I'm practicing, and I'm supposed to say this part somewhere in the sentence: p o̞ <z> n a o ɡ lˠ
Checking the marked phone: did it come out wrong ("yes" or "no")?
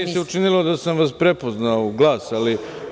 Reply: no